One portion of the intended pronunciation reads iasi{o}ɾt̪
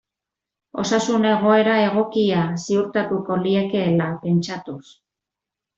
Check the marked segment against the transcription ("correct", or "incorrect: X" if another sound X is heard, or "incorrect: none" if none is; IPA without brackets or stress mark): incorrect: u